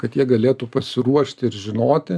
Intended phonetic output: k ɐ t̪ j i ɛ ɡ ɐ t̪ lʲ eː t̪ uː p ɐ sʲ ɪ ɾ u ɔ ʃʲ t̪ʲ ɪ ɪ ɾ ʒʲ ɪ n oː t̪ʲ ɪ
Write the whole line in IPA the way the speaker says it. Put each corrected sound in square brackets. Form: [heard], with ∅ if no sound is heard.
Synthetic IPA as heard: k ɐ t̪ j i ɛ ɡ ɐ [∅] lʲ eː t̪ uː p ɐ sʲ ɪ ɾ u ɔ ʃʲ t̪ʲ ɪ ɪ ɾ ʒʲ ɪ n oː t̪ʲ ɪ

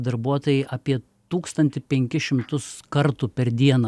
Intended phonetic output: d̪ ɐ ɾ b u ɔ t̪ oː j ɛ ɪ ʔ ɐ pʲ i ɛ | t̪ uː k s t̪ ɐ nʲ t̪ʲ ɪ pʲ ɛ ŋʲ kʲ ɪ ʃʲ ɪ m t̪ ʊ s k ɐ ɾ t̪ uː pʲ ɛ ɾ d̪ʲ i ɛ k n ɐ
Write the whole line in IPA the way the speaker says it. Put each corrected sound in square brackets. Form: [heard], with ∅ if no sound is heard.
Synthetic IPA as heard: d̪ ɐ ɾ b u ɔ t̪ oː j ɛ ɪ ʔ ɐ pʲ i ɛ | t̪ uː k s t̪ ɐ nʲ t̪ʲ ɪ pʲ ɛ ŋʲ kʲ ɪ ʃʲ ɪ m t̪ ʊ s k ɐ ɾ t̪ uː pʲ ɛ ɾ d̪ʲ i ɛ [∅] n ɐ

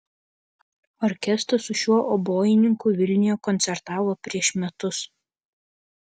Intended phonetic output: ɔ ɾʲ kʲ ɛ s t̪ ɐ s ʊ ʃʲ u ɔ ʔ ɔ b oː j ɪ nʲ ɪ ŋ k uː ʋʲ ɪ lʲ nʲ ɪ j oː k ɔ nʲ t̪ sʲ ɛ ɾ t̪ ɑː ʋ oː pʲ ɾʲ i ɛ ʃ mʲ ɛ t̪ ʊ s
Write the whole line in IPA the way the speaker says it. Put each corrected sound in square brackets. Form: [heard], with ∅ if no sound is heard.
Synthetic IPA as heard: ɔ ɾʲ kʲ ɛ s t̪ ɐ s ʊ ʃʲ u ɔ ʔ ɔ b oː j ɪ nʲ ɪ ŋ k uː ʋʲ ɪ lʲ nʲ ɪ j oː k ɔ nʲ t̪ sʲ ɛ ɾ t̪ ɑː ʋ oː pʲ ɾʲ i ɛ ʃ mʲ ɛ t̪ ʊ s

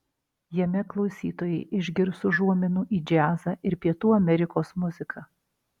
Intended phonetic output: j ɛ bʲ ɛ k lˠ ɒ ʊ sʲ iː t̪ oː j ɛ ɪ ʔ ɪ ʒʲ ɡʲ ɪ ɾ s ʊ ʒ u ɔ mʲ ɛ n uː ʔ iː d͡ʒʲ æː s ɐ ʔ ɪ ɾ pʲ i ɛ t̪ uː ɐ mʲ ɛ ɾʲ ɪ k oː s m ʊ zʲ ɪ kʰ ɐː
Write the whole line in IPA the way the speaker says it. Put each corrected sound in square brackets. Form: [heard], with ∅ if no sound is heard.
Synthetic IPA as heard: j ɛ [mʲ] ɛ k lˠ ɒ ʊ sʲ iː t̪ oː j ɛ ɪ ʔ ɪ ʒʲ ɡʲ ɪ ɾ s ʊ ʒ u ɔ mʲ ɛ n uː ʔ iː d͡ʒʲ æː [z] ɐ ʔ ɪ ɾ pʲ i ɛ t̪ uː ɐ mʲ ɛ ɾʲ ɪ k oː s m ʊ zʲ ɪ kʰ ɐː

